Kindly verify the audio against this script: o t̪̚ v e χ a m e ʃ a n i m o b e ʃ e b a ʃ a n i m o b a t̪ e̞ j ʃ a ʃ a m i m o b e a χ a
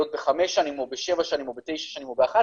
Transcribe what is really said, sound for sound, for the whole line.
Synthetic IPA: o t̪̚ b e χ a m e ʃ a n i m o b e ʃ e v a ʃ a n i m o b e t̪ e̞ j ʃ a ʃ a n i m o b e a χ a